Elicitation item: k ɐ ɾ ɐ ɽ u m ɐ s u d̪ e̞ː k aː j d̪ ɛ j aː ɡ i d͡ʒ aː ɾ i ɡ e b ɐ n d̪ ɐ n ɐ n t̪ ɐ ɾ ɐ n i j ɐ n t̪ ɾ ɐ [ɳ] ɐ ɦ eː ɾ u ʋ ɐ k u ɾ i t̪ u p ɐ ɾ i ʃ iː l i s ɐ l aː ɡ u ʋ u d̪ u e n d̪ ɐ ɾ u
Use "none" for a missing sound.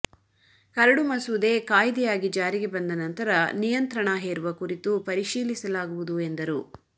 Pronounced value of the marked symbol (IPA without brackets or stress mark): ɳ